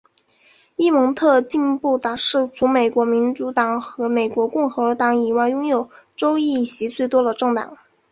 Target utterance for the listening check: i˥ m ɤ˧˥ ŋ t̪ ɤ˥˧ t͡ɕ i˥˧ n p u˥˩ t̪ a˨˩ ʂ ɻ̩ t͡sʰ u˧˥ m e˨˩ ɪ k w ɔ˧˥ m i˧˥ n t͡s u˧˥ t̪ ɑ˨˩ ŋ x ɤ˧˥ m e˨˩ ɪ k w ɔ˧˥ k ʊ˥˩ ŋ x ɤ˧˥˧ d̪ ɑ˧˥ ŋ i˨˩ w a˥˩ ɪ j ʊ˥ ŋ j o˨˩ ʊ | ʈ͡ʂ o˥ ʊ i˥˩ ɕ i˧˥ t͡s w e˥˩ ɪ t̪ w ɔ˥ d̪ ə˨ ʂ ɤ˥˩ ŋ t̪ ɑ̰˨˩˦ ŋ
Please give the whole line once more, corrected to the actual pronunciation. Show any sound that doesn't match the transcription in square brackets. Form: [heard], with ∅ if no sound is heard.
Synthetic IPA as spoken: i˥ m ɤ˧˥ ŋ [t̪ʰ] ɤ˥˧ t͡ɕ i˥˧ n p u˥˩ t̪ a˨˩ ʂ ɻ̩ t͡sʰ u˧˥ m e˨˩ ɪ k w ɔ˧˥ m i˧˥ n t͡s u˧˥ t̪ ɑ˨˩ ŋ x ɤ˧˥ m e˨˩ ɪ k w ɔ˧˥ k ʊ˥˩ ŋ x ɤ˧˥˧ [t̪] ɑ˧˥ ŋ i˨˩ w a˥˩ ɪ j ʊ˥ ŋ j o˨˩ ʊ | ʈ͡ʂ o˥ ʊ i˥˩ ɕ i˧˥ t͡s w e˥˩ ɪ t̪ w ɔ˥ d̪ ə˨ [ʈ͡ʂ] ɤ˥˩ ŋ t̪ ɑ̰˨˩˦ ŋ